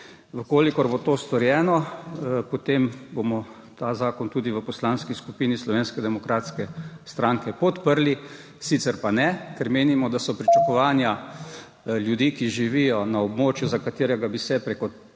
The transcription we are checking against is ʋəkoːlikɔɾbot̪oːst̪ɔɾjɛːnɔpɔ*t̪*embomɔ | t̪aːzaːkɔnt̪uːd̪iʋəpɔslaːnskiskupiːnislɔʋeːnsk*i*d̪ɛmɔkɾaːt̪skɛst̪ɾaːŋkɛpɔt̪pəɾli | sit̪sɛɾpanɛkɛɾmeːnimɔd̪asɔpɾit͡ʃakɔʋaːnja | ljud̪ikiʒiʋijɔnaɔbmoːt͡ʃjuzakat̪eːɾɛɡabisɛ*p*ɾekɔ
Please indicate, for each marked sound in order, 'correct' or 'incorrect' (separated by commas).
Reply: correct, incorrect, correct